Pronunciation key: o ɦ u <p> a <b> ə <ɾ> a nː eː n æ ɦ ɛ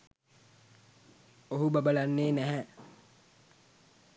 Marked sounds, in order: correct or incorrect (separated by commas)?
incorrect, correct, incorrect